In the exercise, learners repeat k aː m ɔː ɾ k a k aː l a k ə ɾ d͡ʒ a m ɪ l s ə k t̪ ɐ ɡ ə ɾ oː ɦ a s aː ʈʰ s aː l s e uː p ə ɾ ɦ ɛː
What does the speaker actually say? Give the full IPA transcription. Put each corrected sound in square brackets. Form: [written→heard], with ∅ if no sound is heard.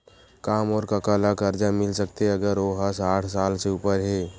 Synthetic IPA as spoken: k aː m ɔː ɾ k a k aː l a k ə ɾ d͡ʒ a m ɪ l s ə k t̪ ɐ ɡ ə ɾ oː ɦ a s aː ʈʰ s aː l s e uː p ə ɾ ɦ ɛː

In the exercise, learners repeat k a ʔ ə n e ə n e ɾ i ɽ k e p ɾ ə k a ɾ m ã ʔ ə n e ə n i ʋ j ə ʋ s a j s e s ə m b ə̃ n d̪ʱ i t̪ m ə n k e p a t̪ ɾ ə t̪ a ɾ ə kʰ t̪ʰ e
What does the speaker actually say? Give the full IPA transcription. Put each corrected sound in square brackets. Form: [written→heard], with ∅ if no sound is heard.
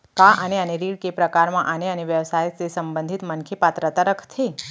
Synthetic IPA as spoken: k a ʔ ə n e ə n e ɾ i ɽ k e p ɾ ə k a ɾ m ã ʔ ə n e ə n [i→e] ʋ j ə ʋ s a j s e s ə m b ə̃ n d̪ʱ i t̪ m ə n [k→kʰ] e p a t̪ ɾ ə t̪ a ɾ ə kʰ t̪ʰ e

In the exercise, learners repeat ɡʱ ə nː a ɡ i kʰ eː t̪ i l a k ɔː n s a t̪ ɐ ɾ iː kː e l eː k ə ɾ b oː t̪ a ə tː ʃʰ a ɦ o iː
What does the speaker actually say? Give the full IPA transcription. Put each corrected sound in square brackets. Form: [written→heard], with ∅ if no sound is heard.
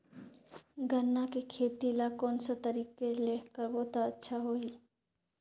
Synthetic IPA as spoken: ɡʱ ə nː a [ɡ→k] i kʰ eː t̪ i l a k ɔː n s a t̪ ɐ ɾ iː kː e l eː k ə ɾ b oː t̪ a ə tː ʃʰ a ɦ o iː

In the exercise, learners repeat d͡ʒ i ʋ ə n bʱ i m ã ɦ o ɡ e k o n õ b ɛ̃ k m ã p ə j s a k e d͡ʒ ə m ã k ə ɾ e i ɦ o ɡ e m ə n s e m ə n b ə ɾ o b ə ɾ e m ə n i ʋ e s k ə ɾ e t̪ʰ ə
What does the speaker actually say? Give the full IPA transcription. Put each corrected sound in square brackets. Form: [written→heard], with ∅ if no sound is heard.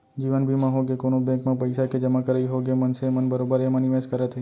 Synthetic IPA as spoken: d͡ʒ i ʋ ə n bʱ i m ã ɦ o ɡ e k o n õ b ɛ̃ k m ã p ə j s a k e d͡ʒ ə m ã k ə ɾ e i ɦ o ɡ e m ə n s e m ə n b ə ɾ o b ə ɾ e m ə n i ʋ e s k ə ɾ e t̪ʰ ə

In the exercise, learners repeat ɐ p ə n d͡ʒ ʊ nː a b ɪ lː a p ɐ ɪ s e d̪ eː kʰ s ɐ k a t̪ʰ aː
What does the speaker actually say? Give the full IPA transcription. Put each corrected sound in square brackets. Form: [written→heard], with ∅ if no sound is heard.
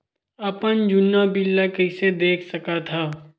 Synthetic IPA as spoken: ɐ p ə n d͡ʒ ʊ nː a b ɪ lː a [p→k] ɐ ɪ s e d̪ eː kʰ s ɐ k a t̪ʰ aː

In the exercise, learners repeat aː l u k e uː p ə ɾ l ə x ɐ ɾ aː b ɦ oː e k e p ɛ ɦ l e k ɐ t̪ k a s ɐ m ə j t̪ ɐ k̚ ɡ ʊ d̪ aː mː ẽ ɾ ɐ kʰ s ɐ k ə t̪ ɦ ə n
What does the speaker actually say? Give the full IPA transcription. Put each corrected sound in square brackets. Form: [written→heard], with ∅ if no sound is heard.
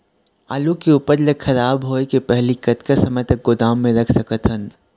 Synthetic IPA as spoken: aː l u k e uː p ə ɾ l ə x ɐ ɾ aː b ɦ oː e k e p ɛ ɦ l [e→i] k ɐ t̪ k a s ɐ m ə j t̪ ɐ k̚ ɡ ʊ d̪ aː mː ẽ ɾ ɐ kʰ s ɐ k ə t̪ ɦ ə n

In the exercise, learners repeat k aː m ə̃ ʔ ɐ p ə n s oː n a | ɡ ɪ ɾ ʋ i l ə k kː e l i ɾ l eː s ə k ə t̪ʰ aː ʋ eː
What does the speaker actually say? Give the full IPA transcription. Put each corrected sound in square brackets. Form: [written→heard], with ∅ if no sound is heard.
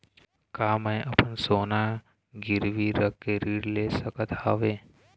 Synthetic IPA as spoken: k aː m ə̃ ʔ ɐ p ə n s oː n a | ɡ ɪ ɾ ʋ i [l→ɾ] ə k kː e [l→ɾ] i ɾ l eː s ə k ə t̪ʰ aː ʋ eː

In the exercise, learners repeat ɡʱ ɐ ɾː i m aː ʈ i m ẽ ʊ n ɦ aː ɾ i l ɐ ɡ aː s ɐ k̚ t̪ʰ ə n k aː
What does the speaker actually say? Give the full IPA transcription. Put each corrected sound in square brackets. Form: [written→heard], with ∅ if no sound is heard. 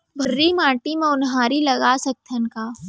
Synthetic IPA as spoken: [ɡʱ→bʱ] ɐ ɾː i m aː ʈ i m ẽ ʊ n ɦ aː ɾ i l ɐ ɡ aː s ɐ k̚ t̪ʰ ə n k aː

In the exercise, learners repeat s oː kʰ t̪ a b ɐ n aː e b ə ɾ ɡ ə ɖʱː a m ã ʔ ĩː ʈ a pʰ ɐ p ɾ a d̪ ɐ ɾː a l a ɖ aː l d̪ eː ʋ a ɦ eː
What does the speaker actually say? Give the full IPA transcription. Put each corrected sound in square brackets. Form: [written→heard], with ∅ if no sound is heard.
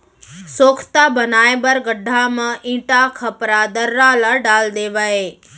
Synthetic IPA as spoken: s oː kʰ t̪ a b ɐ n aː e b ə ɾ ɡ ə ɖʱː a m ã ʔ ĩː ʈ a [pʰ→kʰ] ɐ p ɾ a d̪ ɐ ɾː a l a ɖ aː l d̪ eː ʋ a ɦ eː

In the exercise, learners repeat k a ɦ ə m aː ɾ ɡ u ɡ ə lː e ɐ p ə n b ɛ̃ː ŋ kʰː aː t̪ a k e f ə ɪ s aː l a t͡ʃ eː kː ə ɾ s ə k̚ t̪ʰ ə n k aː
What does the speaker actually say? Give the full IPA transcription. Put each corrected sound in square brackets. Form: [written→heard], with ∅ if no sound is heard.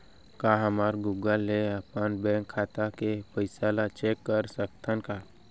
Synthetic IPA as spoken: k a ɦ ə m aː ɾ ɡ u ɡ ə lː e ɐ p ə n b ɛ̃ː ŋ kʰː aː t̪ a k e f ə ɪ s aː l a t͡ʃ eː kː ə ɾ s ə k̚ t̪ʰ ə n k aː

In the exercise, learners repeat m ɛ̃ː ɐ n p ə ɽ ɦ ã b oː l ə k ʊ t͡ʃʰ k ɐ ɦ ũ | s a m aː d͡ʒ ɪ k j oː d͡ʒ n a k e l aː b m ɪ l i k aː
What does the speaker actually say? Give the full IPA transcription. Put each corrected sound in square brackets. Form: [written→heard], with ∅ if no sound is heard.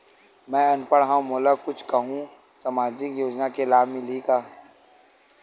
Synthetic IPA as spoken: m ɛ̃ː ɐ n p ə ɽ ɦ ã [b→m] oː l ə k ʊ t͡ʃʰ k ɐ ɦ ũ | s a m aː d͡ʒ ɪ k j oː d͡ʒ n a k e l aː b m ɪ l i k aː

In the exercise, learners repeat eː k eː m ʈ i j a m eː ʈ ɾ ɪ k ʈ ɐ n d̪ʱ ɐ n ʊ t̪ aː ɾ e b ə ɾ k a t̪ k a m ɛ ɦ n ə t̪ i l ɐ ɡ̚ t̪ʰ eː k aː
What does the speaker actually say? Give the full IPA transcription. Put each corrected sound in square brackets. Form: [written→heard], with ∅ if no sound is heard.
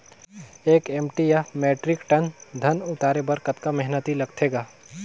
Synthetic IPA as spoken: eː k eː m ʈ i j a m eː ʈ ɾ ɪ k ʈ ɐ n d̪ʱ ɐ n ʊ t̪ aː ɾ e b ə ɾ k [a→ə] t̪ k a m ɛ ɦ n ə t̪ i l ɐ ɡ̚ t̪ʰ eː [k→ɡ] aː

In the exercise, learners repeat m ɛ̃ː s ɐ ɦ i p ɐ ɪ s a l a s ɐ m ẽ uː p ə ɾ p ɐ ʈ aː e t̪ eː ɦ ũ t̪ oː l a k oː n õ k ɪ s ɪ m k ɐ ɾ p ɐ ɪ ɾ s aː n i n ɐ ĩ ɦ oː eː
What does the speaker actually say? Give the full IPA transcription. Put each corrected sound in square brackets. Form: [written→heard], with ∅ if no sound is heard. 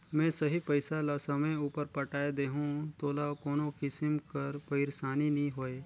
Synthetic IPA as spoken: m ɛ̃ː s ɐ ɦ i p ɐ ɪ s a l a s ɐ m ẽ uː p ə ɾ p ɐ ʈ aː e [t̪→d̪] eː ɦ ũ t̪ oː l a k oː n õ k ɪ s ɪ m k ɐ ɾ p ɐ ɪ ɾ s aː n i n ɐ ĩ ɦ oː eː

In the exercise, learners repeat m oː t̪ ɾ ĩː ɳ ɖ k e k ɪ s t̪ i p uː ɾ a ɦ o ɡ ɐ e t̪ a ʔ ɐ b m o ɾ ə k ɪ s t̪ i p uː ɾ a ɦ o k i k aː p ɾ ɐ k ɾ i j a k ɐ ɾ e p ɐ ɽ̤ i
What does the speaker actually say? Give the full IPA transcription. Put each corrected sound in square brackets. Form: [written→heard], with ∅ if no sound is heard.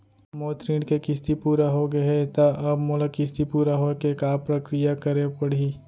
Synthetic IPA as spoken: m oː t̪ ɾ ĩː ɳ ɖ k e k ɪ s t̪ i p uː ɾ a ɦ o ɡ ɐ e t̪ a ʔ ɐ b m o [ɾ→l] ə k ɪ s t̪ i p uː ɾ a ɦ o k [i→e] k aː p ɾ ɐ k ɾ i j a k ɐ ɾ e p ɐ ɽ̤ i

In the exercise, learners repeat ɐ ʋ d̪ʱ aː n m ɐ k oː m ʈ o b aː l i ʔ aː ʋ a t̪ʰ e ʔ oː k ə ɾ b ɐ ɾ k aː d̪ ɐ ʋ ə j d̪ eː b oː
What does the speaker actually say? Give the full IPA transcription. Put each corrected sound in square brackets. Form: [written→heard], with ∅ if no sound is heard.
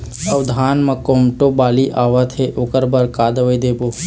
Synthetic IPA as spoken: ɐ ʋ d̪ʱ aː n m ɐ k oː m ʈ o b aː l i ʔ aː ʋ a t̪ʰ e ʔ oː k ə ɾ b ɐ ɾ k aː d̪ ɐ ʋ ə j d̪ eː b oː

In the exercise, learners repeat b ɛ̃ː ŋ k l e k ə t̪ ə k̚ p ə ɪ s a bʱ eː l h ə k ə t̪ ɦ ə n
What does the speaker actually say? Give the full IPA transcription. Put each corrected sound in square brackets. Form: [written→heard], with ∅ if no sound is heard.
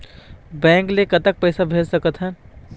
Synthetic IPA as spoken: b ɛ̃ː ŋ k l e k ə t̪ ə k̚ p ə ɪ s a bʱ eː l [h→s] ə k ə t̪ ɦ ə n

